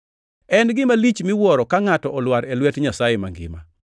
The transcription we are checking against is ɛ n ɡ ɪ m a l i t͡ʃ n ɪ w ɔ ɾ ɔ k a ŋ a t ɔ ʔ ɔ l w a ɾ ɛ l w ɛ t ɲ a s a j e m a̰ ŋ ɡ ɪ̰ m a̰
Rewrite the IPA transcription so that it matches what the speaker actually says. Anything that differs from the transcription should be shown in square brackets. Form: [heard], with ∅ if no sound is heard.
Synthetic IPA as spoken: ɛ n ɡ ɪ m a l i t͡ʃ [m] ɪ w ɔ ɾ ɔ k a ŋ a t ɔ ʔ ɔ l w a ɾ ɛ l w ɛ t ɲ a s a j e m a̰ ŋ ɡ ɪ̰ m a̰

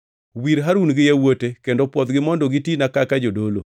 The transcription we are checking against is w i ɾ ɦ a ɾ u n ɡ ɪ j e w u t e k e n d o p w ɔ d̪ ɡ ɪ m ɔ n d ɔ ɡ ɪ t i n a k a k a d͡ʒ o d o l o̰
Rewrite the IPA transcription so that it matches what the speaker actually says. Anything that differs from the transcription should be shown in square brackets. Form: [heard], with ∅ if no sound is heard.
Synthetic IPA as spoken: w i ɾ ɦ a ɾ u n ɡ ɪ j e w [o] t e k e n d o p w ɔ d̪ ɡ ɪ m ɔ n d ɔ ɡ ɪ t i n a k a k a d͡ʒ o d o l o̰

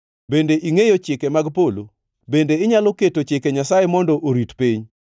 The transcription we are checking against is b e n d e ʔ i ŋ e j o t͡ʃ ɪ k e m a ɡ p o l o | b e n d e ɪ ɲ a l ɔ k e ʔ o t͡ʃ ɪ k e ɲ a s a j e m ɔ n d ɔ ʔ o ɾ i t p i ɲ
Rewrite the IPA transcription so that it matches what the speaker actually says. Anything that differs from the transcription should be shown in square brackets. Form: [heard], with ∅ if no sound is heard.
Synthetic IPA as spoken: b e n d e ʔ i ŋ e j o t͡ʃ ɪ k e m a ɡ p o l o | b e n d e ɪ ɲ a l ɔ k e [t] o t͡ʃ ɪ k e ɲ a s a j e m ɔ n d ɔ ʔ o ɾ i t p i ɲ

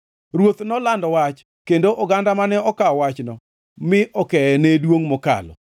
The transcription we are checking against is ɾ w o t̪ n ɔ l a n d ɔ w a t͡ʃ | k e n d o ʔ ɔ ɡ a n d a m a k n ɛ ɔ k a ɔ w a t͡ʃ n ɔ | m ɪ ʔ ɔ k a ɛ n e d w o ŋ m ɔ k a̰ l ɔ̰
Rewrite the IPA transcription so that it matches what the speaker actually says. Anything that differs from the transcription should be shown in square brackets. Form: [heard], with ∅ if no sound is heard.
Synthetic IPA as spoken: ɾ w o t̪ n ɔ l a n d ɔ w a t͡ʃ | k e n d o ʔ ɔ ɡ a n d a m a [∅] n ɛ ɔ k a ɔ w a t͡ʃ n ɔ | m ɪ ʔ ɔ k [ɛ] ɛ n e d w o ŋ m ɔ k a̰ l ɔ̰

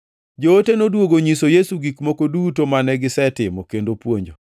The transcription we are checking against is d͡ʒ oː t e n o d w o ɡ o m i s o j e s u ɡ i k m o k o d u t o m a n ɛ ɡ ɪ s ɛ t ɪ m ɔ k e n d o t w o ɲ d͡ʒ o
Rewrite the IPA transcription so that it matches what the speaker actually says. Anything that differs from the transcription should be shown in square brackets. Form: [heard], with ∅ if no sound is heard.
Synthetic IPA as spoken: d͡ʒ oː t e n o d w o ɡ o [ɲ] i s o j e s u ɡ i k m o k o d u t o m a n ɛ ɡ ɪ s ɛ t ɪ m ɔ k e n d o [p] w o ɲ d͡ʒ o

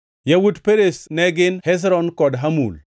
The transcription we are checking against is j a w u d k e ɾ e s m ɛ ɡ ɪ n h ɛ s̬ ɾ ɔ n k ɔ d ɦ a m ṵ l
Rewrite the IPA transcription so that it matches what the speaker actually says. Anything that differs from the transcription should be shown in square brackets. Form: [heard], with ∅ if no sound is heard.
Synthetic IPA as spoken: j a w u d [p] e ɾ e s [n] ɛ ɡ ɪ n h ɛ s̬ ɾ ɔ n k ɔ d ɦ a m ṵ l

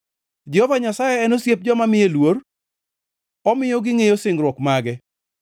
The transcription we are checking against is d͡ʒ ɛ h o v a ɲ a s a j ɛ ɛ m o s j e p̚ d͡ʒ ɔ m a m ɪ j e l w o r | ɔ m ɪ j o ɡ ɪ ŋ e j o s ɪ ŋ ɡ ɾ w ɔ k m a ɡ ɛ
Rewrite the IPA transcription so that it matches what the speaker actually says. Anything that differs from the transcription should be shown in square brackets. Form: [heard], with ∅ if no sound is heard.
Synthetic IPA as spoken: d͡ʒ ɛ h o v a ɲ a s a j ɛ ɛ [n] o s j e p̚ d͡ʒ ɔ m a m ɪ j e l w o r | ɔ m ɪ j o ɡ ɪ ŋ e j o s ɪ ŋ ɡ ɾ w ɔ k m a ɡ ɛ

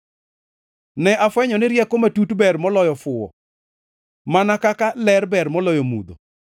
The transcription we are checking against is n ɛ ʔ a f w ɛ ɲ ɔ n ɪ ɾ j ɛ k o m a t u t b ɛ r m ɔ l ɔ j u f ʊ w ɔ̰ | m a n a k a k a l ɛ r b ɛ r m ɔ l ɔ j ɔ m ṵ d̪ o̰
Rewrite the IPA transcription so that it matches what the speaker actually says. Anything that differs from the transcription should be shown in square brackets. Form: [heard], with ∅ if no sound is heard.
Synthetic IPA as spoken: n ɛ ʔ a f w ɛ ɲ ɔ n ɪ ɾ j ɛ k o m a t u t b ɛ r m ɔ l ɔ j [ɔ] f ʊ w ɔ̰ | m a n a k a k a l ɛ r b ɛ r m ɔ l ɔ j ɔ m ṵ d̪ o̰

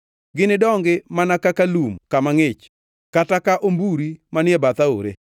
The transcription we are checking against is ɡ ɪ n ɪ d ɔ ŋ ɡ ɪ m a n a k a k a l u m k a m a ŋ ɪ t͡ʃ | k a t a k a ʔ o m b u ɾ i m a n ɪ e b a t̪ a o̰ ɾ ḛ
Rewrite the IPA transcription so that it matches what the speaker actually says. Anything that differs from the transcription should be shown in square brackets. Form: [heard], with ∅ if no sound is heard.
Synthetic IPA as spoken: ɡ ɪ n ɪ d ɔ ŋ ɡ ɪ m a n a k a k a l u m k a m a ŋ ɪ t͡ʃ | k a t a k a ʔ o m b u ɾ i m a n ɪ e b a t̪ a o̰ ɾ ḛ

